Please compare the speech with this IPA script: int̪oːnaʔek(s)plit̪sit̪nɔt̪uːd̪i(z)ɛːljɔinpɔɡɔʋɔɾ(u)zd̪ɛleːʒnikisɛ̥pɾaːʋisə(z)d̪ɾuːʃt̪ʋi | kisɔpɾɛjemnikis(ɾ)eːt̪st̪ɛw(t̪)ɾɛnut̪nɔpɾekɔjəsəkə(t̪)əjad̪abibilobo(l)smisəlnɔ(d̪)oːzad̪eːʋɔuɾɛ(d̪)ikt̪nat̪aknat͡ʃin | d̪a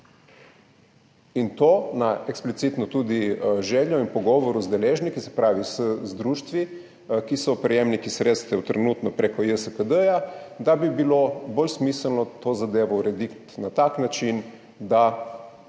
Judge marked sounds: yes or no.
yes, no, yes, yes, yes, yes, no, yes, no, yes

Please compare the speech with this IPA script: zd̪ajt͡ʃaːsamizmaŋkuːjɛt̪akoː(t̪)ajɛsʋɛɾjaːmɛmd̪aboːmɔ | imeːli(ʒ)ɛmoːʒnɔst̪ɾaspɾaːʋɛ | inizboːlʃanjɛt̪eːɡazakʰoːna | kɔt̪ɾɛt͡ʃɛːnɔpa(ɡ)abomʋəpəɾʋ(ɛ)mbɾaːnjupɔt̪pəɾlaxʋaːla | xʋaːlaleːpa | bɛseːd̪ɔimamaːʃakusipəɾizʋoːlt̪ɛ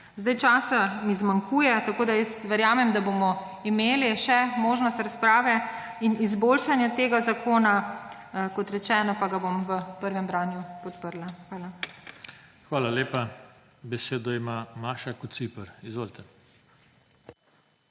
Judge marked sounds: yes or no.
no, no, yes, yes

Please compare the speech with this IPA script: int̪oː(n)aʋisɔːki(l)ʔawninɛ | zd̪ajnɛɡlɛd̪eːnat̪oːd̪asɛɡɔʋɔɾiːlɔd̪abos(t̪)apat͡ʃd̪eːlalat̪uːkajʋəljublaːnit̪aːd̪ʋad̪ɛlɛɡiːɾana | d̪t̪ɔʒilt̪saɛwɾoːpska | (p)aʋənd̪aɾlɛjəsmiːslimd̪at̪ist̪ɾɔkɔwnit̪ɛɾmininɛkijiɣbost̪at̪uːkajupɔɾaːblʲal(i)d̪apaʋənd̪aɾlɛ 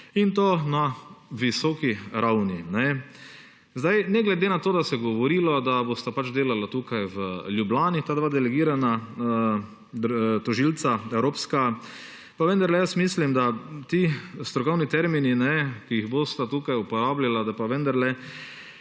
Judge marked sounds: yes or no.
yes, no, yes, yes, no

